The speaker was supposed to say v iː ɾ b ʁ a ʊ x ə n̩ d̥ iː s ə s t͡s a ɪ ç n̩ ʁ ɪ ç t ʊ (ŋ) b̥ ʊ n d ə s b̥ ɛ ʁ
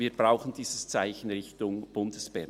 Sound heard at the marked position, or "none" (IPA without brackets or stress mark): ŋ